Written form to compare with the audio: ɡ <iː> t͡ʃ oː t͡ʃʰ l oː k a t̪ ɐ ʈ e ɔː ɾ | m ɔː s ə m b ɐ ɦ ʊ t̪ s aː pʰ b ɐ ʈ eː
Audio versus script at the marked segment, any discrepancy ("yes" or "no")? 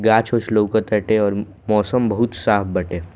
yes